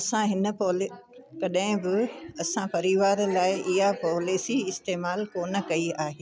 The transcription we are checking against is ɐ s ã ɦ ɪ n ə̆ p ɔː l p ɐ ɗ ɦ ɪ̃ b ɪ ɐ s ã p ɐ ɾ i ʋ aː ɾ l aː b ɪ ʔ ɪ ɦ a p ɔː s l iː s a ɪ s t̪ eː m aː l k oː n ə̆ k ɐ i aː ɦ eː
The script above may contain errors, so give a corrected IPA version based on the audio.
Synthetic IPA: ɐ s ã ɦ ɪ n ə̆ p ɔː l k ɐ ɗ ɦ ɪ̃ b ɪ ɐ s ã p ɐ ɾ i ʋ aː ɾ l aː ɪ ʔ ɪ ɦ a p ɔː l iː s i ɪ s t̪ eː m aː l k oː n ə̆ k ɐ i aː ɦ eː